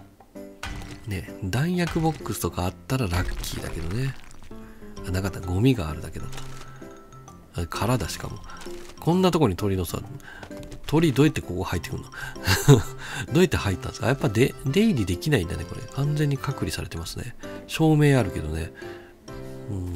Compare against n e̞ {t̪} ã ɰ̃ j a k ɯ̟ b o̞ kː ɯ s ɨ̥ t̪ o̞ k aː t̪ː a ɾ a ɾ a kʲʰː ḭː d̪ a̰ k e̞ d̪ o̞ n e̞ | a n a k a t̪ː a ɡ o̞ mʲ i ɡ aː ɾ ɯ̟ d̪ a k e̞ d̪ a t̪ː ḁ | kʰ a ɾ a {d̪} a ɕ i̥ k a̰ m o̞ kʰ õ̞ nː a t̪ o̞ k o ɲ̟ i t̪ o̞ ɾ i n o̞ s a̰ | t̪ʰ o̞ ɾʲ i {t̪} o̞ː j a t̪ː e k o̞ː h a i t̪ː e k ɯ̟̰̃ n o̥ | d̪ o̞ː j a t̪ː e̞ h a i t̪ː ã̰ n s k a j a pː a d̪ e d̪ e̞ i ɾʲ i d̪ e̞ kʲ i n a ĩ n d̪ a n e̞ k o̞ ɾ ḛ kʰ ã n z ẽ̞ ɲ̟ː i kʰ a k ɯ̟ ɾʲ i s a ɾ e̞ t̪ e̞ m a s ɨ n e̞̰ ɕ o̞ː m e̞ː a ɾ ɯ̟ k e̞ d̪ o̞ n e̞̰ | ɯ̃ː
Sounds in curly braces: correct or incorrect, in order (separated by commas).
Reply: incorrect, correct, incorrect